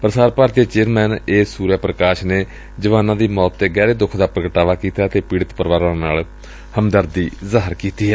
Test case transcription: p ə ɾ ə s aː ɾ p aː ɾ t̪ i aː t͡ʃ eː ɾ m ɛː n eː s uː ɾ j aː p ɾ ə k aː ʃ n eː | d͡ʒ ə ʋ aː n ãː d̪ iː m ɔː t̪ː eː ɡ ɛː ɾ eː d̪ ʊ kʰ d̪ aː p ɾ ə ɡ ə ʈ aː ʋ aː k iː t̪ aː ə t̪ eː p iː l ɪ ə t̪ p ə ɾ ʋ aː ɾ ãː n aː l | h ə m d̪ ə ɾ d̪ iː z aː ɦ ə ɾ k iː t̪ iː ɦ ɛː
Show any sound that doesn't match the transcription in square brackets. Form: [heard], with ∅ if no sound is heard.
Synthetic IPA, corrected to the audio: p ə ɾ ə s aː ɾ p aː ɾ t̪ i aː t͡ʃ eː ɾ m ɛː n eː s uː ɾ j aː p ɾ ə k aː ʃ n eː | d͡ʒ ə ʋ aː n ãː d̪ iː m ɔː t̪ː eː ɡ ɛː ɾ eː d̪ ʊ kʰ d̪ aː p ɾ ə ɡ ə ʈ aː ʋ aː k iː t̪ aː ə t̪ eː p iː [ɽ] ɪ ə t̪ p ə ɾ ʋ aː ɾ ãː n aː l | h ə m d̪ ə ɾ d̪ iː z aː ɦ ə ɾ k iː t̪ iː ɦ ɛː